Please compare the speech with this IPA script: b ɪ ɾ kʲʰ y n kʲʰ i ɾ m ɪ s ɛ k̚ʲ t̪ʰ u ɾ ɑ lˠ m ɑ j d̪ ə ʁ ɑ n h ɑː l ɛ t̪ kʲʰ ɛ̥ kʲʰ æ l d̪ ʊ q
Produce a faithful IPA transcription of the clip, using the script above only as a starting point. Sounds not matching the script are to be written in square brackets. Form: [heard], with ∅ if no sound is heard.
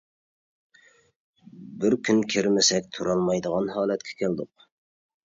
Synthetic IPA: b ɪ ɾ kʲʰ y n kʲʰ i ɾ m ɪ s ɛ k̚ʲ t̪ʰ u ɾ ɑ lˠ m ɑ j d̪ ə ʁ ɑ n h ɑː l ɛ t̪ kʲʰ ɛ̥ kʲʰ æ l d̪ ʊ q